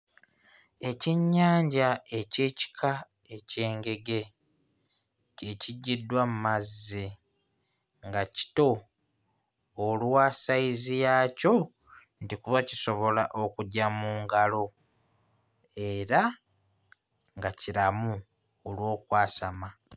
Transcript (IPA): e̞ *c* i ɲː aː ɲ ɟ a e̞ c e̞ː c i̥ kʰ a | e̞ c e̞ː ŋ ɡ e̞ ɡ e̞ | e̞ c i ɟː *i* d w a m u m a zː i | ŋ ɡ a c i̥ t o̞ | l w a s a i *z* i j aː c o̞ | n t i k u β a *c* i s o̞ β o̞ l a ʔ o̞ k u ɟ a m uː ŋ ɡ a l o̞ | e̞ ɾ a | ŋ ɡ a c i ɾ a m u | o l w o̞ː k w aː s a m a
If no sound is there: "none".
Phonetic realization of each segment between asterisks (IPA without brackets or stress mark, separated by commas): c, i, z, c